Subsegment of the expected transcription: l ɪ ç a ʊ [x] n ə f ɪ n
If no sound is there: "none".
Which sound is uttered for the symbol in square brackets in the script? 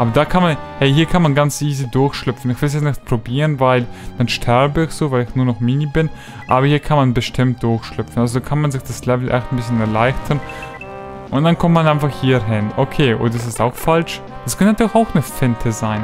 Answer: x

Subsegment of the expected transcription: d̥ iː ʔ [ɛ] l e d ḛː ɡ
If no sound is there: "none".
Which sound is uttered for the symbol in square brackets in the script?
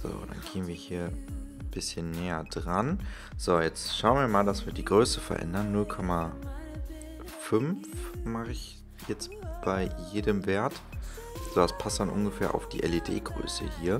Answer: ɛ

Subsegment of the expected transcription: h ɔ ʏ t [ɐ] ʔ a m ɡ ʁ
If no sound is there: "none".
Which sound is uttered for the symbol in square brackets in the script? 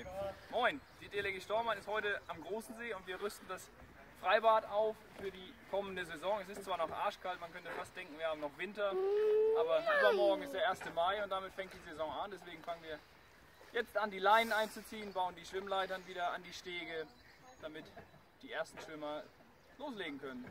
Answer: ə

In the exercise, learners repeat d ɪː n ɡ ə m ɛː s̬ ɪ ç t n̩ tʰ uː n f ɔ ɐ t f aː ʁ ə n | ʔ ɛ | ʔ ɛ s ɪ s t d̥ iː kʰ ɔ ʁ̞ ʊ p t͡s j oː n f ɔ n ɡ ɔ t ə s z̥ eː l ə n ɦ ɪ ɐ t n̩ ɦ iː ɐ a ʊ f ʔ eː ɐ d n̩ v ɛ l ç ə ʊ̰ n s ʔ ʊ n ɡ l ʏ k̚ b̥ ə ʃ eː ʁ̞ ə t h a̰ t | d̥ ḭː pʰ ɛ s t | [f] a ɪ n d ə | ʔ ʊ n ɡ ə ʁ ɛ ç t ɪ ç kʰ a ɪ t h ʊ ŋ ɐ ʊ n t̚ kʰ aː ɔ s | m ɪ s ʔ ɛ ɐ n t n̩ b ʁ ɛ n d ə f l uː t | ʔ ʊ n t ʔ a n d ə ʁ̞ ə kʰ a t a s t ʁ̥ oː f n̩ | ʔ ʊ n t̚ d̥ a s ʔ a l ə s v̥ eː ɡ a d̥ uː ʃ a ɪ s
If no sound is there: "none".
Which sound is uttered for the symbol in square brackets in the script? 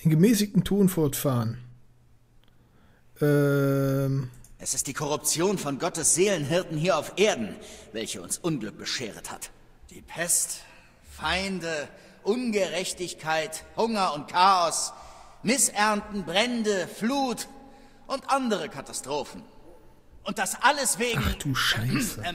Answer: f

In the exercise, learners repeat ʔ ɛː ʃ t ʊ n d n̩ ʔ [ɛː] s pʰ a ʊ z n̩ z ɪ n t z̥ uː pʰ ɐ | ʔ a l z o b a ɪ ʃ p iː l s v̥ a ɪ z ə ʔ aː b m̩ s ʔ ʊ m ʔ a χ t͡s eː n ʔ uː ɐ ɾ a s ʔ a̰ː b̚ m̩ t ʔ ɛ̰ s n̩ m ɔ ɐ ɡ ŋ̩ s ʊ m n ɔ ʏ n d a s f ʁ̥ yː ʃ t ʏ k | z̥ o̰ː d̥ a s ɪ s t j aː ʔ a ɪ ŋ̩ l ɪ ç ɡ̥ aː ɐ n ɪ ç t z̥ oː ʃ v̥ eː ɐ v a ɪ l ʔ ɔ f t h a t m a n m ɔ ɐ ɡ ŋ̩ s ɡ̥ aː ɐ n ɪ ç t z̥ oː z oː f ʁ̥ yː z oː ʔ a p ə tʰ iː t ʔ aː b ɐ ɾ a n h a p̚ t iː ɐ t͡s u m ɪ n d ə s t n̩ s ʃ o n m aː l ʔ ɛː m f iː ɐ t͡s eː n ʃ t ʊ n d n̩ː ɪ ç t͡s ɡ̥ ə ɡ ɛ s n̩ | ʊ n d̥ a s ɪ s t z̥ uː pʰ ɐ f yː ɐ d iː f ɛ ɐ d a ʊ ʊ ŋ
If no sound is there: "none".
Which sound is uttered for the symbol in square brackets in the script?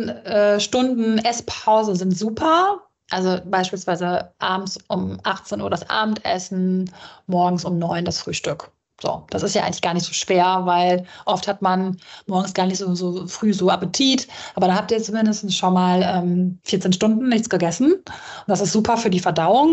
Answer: ɛ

